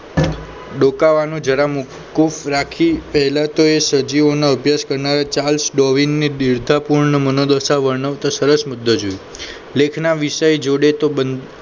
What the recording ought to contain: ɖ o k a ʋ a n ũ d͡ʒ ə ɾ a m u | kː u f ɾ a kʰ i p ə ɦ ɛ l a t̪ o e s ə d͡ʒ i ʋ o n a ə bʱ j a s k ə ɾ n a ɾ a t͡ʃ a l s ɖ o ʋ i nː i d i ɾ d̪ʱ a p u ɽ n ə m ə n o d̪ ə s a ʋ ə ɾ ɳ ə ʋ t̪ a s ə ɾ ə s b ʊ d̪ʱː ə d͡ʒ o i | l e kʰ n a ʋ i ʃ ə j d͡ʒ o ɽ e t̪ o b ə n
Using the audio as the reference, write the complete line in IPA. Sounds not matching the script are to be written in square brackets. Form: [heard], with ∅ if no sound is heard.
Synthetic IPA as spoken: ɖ o k a ʋ a n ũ d͡ʒ ə ɾ a m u | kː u f ɾ a kʰ i p ə ɦ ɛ l a t̪ o e s ə d͡ʒ i ʋ o n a ə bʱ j a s k ə ɾ n a ɾ a t͡ʃ a l s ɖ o ʋ i nː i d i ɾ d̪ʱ a p u [ɾ] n ə m ə n o d̪ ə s a ʋ ə ɾ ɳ ə ʋ t̪ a s ə ɾ ə s [m] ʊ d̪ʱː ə d͡ʒ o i | l e kʰ n a ʋ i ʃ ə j d͡ʒ o ɽ e t̪ o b ə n